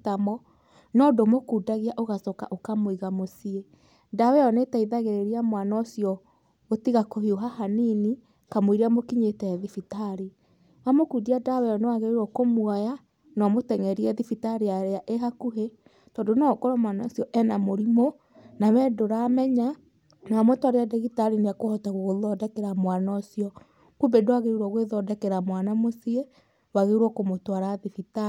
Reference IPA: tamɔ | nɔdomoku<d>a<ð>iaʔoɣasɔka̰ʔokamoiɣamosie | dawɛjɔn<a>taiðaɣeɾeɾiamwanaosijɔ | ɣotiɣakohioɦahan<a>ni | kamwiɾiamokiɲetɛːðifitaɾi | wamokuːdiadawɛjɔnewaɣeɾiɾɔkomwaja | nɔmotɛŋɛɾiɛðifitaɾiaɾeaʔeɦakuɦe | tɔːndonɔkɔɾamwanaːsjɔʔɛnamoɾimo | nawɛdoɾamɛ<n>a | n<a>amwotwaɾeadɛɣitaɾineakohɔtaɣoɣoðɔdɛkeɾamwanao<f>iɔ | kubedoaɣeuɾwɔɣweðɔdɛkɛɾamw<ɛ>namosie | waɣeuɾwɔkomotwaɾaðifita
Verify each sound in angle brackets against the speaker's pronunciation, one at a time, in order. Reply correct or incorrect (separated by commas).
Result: correct, incorrect, incorrect, incorrect, incorrect, correct, incorrect, incorrect